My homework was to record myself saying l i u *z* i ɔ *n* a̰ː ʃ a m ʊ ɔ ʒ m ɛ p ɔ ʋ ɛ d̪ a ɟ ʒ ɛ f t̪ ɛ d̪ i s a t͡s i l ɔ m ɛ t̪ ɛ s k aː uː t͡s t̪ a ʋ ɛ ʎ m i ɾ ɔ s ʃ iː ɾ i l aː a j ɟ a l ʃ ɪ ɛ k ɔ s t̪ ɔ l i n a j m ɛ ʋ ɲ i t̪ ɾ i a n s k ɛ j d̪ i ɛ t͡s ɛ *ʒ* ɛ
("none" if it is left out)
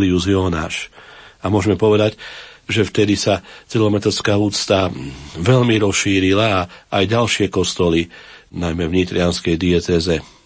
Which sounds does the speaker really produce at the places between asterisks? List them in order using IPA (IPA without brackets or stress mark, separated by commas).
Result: z, n, z